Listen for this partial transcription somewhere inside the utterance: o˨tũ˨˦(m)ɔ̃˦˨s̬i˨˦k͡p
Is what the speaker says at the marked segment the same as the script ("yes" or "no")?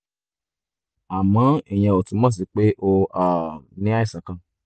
yes